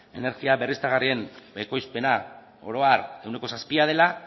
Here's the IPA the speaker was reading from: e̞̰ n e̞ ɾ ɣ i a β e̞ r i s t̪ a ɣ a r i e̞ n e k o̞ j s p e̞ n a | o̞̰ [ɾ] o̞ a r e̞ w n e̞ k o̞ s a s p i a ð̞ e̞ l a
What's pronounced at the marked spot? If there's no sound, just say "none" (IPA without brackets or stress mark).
ɾ